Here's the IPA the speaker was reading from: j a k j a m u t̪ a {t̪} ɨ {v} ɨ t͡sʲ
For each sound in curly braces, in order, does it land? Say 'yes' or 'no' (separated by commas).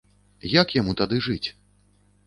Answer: no, no